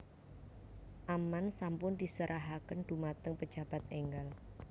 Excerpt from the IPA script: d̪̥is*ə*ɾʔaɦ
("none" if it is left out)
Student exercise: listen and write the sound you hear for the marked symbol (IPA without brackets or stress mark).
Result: ə